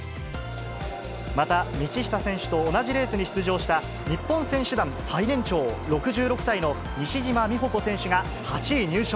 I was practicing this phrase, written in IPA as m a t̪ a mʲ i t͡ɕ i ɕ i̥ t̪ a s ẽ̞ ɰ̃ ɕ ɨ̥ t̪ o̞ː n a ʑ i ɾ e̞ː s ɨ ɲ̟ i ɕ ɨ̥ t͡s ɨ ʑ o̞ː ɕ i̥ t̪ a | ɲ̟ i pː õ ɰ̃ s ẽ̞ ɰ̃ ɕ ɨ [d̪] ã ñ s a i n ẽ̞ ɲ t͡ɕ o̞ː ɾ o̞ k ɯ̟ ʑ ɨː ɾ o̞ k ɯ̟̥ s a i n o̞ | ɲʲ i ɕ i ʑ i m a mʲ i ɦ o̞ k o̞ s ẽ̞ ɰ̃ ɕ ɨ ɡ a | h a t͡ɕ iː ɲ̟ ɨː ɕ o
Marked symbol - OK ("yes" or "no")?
yes